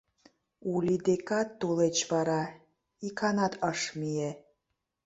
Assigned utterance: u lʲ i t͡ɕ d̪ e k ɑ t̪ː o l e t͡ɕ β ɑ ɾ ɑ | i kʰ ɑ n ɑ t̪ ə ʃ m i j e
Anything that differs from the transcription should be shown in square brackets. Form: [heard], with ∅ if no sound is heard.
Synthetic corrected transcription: u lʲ i [∅] d̪ e k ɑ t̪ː o l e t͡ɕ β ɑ ɾ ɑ | i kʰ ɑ n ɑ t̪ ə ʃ m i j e